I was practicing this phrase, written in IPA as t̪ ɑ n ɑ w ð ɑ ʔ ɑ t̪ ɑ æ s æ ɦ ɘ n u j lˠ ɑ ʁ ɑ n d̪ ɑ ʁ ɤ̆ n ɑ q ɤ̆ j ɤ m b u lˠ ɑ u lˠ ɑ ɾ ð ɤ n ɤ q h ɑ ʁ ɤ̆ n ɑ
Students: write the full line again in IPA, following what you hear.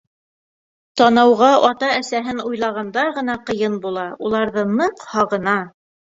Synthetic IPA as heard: t̪ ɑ n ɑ w ʁ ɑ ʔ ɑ t̪ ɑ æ s æ ɦ ɘ n u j lˠ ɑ ʁ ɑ n d̪ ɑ ʁ ɤ̆ n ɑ q ɤ̆ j ɤ n b u lˠ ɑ u lˠ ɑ ɾ ð ɤ n ɤ q h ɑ ʁ ɤ̆ n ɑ